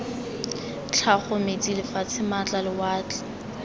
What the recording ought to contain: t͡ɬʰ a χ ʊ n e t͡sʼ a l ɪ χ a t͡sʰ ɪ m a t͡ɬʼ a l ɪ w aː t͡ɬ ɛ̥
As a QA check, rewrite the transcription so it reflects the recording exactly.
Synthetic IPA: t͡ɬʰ a χ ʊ m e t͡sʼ i l ɪ f a t͡sʰ ɪ m a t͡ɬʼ a l ɪ w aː t͡ɬ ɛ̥

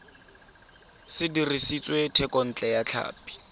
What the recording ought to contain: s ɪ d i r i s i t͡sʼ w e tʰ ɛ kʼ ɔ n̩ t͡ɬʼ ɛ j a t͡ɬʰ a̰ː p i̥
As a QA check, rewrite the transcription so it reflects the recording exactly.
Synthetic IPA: s ɪ d i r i s i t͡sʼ w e tʰ ɛ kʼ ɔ n̩ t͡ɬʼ ɛ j a t͡ɬʰ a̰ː p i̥

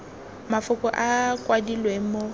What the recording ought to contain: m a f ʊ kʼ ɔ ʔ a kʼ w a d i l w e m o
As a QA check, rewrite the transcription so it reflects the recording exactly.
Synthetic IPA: m a f ʊ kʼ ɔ ʔ a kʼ w a d i l w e m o

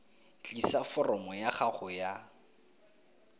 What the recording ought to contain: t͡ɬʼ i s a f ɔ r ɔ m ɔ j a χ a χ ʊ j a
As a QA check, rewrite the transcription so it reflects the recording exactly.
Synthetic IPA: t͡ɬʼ i s a f ɔ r ɔ m ɔ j a χ a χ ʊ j a

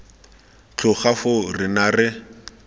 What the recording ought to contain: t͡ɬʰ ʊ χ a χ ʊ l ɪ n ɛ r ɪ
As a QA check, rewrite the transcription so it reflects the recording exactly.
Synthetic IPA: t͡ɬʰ ʊ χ a f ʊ r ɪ n a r ɪ

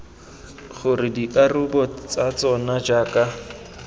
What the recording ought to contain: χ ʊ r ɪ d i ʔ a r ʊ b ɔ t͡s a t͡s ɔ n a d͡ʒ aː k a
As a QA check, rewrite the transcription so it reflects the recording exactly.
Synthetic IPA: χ ʊ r ɪ d i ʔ a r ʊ b ɔ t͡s a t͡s ɔ n a d͡ʒ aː k a

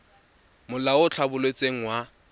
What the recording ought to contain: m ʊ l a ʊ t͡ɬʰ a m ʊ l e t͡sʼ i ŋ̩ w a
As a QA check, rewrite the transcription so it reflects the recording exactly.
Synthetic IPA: m ʊ l a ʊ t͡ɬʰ a b ʊ l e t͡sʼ e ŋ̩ w a

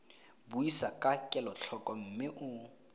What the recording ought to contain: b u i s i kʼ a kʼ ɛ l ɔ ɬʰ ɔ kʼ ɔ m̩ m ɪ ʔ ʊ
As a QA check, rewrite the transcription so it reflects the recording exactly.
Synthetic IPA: b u i s a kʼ a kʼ ɛ l ɔ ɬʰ ɔ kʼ ɔ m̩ m ɪ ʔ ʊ

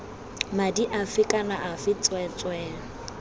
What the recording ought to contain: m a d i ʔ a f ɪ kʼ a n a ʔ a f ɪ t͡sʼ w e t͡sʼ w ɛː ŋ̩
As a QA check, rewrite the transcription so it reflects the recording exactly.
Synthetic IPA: m a d i ʔ a f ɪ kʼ a n a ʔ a f ɪ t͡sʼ w ɛ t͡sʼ w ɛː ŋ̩

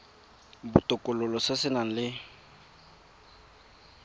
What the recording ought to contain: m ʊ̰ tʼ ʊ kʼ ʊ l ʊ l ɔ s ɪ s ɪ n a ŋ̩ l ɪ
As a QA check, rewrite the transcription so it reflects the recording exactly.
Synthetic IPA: b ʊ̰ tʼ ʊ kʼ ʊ l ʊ l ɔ s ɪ s ɪ n a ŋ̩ l ɪ

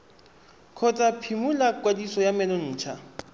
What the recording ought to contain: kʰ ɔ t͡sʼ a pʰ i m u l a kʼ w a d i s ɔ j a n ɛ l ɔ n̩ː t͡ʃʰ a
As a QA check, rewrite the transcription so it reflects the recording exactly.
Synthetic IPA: kʰ ɔ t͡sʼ a pʰ i m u l a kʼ w a d i s ɔ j a m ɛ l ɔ n̩ː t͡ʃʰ a

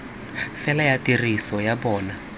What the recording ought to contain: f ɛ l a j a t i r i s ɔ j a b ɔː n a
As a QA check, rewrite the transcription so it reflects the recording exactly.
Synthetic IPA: f ɛ l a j a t i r i s ɔ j a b ɔː n a

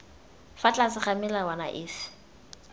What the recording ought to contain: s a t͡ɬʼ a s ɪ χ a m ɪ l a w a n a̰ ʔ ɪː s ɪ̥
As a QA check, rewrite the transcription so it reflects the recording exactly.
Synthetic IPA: f a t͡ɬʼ a s ɪ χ a m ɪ l a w a n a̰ ʔ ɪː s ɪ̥

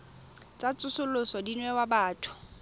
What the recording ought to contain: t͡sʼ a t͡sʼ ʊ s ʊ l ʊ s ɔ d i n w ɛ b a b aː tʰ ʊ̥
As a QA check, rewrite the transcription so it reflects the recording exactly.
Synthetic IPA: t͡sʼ a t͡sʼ ʊ s ʊ l ʊ s ɔ d i n w ɛ w a b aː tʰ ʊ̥

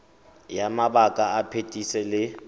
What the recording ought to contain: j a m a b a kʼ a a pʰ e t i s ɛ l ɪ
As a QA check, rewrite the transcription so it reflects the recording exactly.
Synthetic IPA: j a m a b a kʼ a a pʰ e tʼ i s ɛ l ɪ

